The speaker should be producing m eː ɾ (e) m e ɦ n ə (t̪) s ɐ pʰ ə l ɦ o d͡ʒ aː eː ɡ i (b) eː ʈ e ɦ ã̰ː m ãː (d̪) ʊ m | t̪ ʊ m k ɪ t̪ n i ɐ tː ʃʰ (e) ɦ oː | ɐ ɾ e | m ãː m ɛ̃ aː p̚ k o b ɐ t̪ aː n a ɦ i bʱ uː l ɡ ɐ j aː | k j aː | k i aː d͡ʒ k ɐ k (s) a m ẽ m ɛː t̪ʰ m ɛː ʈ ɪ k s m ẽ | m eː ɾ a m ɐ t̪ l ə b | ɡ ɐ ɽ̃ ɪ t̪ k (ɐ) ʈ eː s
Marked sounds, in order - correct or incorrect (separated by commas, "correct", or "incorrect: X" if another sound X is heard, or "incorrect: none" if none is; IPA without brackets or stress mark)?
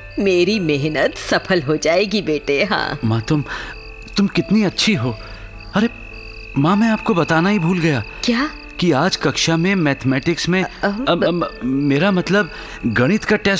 incorrect: i, correct, correct, incorrect: t̪, incorrect: i, incorrect: ʃ, incorrect: a